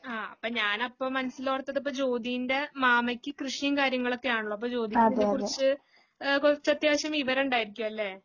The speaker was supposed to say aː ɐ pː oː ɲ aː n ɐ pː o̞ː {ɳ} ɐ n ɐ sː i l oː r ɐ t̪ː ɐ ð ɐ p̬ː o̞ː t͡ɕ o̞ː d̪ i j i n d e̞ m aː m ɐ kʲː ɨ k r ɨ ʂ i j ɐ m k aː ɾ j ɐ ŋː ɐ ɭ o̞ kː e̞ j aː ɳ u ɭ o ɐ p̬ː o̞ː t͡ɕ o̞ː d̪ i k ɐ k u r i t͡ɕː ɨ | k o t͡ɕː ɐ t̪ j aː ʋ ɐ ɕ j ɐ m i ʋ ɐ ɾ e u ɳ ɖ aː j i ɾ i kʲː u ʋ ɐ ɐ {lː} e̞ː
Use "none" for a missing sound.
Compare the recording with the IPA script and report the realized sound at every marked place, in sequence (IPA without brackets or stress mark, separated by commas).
m, lː